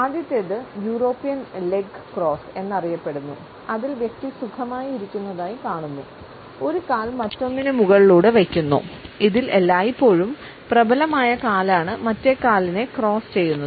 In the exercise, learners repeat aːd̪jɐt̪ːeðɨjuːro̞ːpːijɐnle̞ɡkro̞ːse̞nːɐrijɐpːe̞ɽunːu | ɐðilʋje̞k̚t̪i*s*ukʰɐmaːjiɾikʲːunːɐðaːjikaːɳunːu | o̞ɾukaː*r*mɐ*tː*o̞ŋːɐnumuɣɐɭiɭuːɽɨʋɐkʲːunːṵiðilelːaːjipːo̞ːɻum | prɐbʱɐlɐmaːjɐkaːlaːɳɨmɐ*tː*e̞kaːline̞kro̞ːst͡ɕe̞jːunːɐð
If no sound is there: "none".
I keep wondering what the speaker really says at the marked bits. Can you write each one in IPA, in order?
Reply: s, l, tː, tː

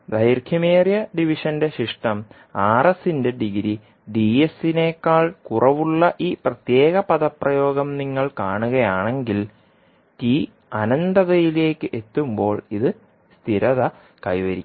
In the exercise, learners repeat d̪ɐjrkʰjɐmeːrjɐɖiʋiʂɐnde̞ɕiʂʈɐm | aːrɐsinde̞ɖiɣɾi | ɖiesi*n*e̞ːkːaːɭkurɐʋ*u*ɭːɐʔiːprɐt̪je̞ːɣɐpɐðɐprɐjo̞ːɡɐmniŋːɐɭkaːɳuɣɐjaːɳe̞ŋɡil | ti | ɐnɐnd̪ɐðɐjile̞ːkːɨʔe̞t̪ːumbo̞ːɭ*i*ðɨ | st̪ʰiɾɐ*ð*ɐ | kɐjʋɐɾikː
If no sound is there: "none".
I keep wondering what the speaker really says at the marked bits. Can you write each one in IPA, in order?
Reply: n, u, i, ð

